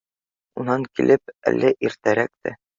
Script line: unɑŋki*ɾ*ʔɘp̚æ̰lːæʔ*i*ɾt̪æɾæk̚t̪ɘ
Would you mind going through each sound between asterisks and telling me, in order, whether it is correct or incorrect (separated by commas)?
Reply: incorrect, correct